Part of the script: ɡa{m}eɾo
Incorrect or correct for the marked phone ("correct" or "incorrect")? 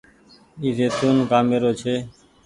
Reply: correct